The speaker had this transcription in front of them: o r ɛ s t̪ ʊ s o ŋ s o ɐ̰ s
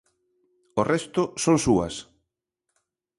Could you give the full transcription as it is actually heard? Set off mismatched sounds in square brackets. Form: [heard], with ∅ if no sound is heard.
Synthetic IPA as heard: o r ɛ s t̪ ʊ s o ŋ s [u] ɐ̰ s